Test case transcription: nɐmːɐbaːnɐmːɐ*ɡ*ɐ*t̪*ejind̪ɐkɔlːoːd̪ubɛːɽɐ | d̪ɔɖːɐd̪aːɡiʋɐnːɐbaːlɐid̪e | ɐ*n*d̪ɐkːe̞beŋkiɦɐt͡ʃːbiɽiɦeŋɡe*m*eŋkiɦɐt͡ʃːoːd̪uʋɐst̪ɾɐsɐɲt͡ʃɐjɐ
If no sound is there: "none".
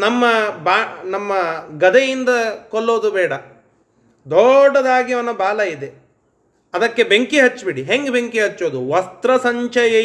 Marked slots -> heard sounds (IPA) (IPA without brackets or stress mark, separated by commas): ɡ, d̪, none, b